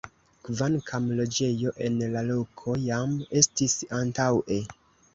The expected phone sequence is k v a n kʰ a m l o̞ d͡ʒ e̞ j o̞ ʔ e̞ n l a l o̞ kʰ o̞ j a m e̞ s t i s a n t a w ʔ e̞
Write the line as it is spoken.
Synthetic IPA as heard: k v a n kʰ a m l o̞ d͡ʒ e̞ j o̞ ʔ e̞ n l a l o̞ kʰ o̞ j a m e̞ s t i s a n t a w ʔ e̞